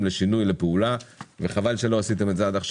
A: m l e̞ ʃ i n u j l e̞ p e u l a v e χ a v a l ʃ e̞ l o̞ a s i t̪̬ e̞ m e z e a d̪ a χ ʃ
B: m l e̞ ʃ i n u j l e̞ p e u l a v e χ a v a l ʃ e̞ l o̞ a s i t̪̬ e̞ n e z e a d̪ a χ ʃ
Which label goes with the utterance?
A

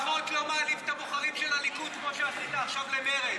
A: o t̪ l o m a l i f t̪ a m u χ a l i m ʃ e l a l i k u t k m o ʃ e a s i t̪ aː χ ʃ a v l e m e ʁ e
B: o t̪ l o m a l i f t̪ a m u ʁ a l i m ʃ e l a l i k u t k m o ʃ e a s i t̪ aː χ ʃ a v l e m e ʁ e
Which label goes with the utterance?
A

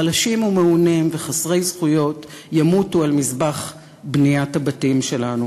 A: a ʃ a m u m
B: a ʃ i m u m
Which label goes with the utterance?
B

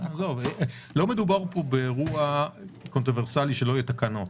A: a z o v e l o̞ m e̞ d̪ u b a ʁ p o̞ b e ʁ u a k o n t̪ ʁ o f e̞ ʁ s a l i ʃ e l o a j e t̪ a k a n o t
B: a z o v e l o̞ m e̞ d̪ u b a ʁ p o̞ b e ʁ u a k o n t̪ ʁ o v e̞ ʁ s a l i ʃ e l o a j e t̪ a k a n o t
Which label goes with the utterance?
B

